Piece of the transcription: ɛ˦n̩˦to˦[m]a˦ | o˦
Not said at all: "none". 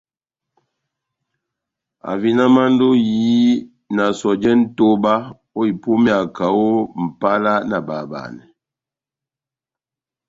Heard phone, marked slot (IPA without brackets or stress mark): b